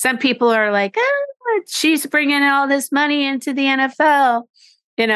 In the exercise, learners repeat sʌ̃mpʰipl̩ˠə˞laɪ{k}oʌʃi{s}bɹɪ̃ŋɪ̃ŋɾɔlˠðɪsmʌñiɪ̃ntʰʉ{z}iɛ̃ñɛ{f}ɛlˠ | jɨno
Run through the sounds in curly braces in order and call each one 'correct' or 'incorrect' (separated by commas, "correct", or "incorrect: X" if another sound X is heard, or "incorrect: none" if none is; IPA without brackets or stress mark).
correct, incorrect: z, incorrect: ð, correct